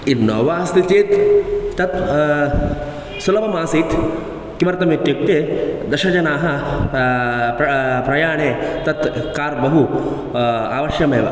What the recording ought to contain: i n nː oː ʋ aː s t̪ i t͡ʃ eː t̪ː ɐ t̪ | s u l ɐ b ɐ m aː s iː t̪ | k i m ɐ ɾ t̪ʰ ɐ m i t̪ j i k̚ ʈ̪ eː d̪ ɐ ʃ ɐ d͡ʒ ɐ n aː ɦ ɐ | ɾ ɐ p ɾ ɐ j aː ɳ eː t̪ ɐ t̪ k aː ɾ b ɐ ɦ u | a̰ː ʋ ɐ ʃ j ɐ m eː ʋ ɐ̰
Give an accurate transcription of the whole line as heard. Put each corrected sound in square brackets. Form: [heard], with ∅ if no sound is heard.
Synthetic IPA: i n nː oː ʋ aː s t̪ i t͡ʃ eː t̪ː ɐ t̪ | s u l ɐ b ɐ m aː s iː t̪ | k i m ɐ ɾ [t̪] ɐ m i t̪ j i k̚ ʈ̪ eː d̪ ɐ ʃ ɐ d͡ʒ ɐ n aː ɦ ɐ | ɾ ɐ p ɾ ɐ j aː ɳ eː t̪ ɐ t̪ k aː ɾ b ɐ ɦ u | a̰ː ʋ ɐ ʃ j ɐ m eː ʋ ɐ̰